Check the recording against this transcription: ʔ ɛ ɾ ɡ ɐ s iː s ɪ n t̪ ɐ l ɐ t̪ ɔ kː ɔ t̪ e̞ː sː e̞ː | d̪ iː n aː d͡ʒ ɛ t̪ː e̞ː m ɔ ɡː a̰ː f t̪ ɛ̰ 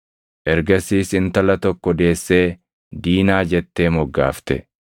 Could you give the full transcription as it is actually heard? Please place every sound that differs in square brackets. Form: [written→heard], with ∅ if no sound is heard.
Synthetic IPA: ʔ ɛ ɾ ɡ ɐ s iː s ɪ n t̪ ɐ l ɐ t̪ ɔ kː ɔ [t̪→d̪] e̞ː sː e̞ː | d̪ iː n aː d͡ʒ ɛ t̪ː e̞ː m ɔ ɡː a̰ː f t̪ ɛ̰

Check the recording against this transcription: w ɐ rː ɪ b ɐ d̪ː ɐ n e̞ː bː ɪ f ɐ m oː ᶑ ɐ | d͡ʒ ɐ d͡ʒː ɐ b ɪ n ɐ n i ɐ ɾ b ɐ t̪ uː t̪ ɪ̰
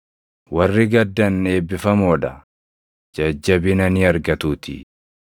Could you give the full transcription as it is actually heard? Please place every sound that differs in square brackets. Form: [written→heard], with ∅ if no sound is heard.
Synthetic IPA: w ɐ rː ɪ [b→ɡ] ɐ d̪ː ɐ n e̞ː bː ɪ f ɐ m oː ᶑ ɐ | d͡ʒ ɐ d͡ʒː ɐ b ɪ n ɐ n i ɐ ɾ [b→ɡ] ɐ t̪ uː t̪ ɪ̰

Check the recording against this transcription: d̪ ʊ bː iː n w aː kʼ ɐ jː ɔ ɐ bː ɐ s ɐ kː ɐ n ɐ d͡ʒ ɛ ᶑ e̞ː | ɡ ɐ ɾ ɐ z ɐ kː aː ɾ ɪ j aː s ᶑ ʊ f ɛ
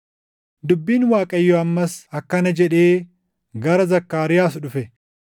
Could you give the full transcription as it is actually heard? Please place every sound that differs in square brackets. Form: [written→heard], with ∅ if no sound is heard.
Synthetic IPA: d̪ ʊ bː iː n w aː kʼ ɐ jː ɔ ɐ [bː→mː] ɐ s ɐ kː ɐ n ɐ d͡ʒ ɛ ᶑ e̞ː | ɡ ɐ ɾ ɐ z ɐ kː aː ɾ ɪ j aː s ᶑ ʊ f ɛ

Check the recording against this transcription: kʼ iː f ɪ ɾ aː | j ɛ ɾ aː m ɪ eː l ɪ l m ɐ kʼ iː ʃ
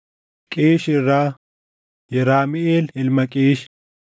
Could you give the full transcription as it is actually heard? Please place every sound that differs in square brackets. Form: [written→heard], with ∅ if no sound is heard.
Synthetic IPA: kʼ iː [f→ʃ] ɪ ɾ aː | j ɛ ɾ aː m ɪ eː l ɪ l m ɐ kʼ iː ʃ

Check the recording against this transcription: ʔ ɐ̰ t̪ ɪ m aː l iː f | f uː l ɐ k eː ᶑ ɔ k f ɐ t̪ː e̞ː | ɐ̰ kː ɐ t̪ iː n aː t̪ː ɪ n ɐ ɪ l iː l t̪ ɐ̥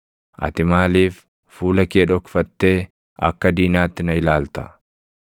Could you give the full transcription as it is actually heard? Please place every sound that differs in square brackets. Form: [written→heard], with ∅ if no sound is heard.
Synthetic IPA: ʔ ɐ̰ t̪ ɪ m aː l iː f | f uː l ɐ k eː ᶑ ɔ k f ɐ t̪ː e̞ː | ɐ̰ kː ɐ [t̪→d̪] iː n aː t̪ː ɪ n ɐ ɪ l [iː→aː] l t̪ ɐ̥

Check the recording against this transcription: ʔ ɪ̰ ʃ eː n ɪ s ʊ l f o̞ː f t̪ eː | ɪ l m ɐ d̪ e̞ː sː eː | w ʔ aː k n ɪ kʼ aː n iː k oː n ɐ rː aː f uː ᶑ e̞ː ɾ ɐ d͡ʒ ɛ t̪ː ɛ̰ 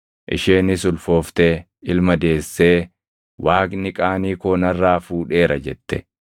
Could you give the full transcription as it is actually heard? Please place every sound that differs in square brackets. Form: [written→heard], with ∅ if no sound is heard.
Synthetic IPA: ʔ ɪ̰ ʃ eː n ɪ s ʊ l f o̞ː f t̪ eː | ɪ l m ɐ d̪ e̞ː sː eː | w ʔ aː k n ɪ kʼ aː n iː k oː n ɐ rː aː f uː ᶑ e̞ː ɾ ɐ d͡ʒ ɛ t̪ː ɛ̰

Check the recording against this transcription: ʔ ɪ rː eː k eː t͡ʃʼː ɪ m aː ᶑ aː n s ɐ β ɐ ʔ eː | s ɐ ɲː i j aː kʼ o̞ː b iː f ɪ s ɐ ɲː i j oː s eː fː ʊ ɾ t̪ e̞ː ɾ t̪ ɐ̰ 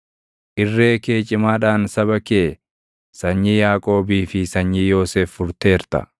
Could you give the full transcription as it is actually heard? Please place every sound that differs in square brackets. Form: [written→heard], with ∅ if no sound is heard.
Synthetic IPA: ʔ ɪ rː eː k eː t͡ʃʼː ɪ m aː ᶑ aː n s ɐ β ɐ [ʔ→k] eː | s ɐ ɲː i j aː kʼ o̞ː b iː f ɪ s ɐ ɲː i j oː s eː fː ʊ ɾ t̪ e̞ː ɾ t̪ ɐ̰

